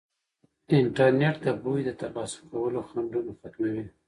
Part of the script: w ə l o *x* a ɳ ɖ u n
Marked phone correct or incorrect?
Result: correct